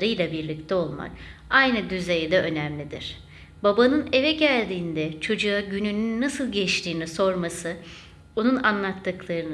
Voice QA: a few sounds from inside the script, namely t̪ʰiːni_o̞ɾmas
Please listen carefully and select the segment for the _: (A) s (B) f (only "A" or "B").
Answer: A